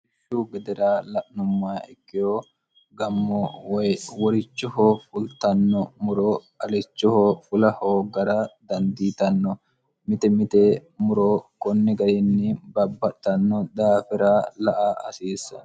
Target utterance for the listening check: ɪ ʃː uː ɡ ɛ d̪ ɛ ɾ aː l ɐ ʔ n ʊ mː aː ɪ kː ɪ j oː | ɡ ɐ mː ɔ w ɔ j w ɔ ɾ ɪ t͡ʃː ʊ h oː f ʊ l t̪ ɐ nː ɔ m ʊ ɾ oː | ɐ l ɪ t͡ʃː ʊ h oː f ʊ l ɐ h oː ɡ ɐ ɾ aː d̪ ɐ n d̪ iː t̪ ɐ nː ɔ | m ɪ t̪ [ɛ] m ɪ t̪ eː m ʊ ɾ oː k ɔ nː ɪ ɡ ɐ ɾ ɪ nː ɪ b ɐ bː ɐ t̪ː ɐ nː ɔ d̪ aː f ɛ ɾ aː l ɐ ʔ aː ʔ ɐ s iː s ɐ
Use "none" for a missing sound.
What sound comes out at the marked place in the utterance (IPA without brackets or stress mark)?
ɛ